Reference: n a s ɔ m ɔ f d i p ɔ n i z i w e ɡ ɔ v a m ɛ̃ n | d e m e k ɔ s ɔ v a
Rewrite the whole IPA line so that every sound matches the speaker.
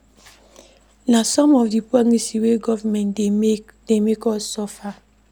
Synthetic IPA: n a s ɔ m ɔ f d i p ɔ n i s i w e ɡ ɔ v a m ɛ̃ n | d e m e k ɔ s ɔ f a